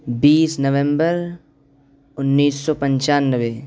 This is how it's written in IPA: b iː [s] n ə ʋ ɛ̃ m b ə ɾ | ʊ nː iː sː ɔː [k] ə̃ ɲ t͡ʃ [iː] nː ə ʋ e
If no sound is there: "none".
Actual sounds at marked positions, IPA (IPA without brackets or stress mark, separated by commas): s, p, aː